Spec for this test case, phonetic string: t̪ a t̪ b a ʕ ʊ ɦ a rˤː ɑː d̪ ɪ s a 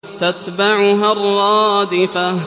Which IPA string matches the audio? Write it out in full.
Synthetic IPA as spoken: t̪ a t̪ b a ʕ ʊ ɦ a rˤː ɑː d̪ ɪ f a